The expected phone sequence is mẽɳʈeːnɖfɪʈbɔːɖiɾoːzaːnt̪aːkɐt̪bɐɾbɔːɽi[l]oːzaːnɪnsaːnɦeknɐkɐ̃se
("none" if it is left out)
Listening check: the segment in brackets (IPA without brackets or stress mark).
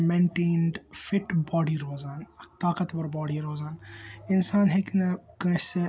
ɾ